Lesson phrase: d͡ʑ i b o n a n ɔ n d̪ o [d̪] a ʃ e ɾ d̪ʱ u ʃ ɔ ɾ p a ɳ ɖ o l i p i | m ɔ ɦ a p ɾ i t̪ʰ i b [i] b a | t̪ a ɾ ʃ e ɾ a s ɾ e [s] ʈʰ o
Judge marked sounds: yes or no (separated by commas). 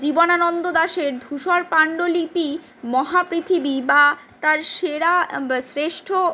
yes, yes, no